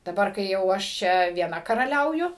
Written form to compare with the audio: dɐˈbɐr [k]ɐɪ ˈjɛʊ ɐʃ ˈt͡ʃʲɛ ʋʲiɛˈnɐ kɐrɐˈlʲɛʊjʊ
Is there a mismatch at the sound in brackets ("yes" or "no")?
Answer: no